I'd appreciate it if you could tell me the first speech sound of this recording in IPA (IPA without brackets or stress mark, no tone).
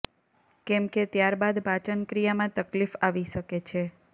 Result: k